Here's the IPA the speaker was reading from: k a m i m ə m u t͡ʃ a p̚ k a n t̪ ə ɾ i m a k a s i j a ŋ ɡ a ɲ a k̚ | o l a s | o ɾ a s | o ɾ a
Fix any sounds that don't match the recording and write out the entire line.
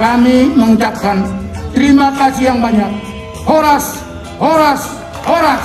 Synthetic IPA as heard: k a m i m ə ŋ u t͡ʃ a p̚ k a n t̪ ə ɾ i m a k a s i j a ŋ b a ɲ a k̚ | o ɾ a s | o ɾ a s | o ɾ a